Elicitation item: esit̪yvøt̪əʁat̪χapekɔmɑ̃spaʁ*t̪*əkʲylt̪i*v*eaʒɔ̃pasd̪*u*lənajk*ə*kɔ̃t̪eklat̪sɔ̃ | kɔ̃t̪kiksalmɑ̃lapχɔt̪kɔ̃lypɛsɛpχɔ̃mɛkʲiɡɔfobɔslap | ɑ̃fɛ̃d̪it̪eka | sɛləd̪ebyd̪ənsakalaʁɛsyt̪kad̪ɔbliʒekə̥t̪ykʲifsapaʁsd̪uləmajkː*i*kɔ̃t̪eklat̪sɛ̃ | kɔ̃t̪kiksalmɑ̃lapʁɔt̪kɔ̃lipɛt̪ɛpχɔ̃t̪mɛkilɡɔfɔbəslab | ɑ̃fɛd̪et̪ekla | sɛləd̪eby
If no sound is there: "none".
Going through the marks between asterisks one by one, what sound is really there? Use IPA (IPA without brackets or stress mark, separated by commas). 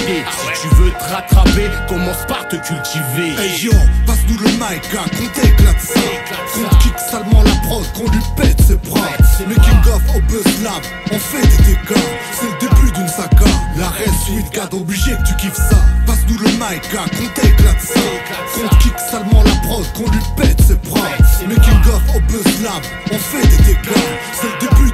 t̪, v, u, a, a